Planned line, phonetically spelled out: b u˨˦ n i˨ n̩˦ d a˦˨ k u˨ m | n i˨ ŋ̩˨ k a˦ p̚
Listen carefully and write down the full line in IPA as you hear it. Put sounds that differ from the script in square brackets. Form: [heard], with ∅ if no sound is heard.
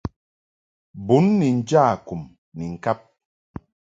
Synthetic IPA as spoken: b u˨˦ [nː] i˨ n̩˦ [d͡ʒ] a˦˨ k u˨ m | n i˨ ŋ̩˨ k a˦ p̚

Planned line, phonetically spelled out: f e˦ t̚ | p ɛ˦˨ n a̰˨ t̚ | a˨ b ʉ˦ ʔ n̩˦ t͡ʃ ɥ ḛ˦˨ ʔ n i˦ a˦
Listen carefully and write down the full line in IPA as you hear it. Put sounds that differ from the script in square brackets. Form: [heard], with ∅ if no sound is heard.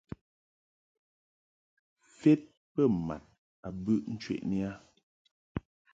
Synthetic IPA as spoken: f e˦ t̚ | p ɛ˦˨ [m] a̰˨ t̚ | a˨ b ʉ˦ ʔ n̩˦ t͡ʃ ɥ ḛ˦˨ ʔ n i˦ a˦

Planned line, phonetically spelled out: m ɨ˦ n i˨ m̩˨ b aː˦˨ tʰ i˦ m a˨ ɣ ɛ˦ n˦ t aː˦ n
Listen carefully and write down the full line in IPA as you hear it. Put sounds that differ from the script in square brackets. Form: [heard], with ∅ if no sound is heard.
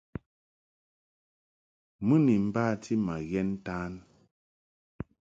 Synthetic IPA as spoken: m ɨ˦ n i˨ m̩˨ b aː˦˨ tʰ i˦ m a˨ ɣ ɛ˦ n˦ t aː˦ n

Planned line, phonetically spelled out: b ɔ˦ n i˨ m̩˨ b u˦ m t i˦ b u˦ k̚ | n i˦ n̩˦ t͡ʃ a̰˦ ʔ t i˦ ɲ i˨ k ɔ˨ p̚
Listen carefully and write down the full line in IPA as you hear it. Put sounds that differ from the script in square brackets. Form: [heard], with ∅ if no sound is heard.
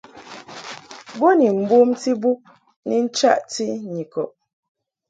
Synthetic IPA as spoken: b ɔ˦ n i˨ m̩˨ b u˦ m t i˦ b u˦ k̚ | n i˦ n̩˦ t͡ʃ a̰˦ ʔ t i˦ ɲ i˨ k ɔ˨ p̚

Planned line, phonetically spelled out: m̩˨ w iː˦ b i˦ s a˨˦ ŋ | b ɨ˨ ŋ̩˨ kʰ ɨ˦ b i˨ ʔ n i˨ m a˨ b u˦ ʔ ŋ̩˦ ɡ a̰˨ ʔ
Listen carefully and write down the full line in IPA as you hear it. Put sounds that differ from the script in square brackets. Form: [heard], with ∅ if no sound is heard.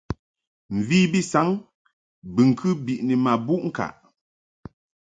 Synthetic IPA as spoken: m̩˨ [v] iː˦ b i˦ s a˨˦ ŋ | b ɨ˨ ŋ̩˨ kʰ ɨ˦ b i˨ ʔ n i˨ m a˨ b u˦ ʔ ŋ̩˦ [k] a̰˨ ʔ

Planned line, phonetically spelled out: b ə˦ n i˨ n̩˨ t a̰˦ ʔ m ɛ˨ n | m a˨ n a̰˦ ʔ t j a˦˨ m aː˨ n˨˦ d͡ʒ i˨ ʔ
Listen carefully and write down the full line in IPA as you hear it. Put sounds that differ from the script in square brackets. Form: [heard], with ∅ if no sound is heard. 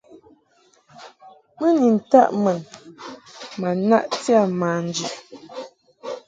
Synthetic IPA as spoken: [m] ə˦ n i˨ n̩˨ t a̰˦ ʔ m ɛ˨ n | m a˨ n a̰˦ ʔ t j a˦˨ m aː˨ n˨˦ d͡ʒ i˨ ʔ

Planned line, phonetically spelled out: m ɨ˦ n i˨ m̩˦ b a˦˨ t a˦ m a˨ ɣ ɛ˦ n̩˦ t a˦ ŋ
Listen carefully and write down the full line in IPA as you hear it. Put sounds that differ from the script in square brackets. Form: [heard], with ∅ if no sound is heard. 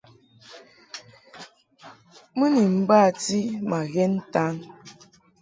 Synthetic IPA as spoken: m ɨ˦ n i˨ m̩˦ b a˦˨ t [i˦] m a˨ ɣ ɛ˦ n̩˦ t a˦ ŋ

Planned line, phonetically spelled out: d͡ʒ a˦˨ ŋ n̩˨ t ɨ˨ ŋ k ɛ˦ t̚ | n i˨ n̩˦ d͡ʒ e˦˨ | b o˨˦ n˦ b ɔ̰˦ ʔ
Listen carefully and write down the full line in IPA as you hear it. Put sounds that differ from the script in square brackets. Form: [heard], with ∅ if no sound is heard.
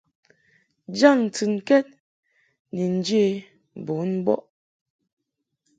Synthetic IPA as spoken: d͡ʒ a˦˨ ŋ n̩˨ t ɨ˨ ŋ k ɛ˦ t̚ | n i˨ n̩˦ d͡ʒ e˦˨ | b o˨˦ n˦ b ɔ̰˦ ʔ

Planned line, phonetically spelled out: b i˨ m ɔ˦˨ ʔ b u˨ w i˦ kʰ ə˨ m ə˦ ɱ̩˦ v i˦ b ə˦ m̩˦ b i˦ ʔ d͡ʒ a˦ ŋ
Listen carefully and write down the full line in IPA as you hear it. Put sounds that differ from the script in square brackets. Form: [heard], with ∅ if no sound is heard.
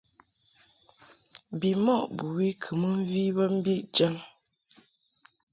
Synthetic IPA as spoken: b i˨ m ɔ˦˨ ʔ b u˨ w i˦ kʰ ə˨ m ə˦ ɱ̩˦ v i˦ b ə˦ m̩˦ b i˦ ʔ d͡ʒ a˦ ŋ

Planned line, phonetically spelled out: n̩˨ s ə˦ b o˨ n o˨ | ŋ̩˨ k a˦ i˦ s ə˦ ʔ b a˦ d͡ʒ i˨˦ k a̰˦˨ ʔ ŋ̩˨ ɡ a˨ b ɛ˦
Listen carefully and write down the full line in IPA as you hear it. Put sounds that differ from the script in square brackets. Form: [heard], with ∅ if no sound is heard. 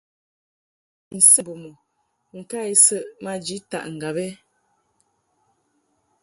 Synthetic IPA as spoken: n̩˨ s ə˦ b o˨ [m] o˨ | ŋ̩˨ k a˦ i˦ s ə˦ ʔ [m] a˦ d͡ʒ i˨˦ [t] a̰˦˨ ʔ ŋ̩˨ ɡ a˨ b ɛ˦

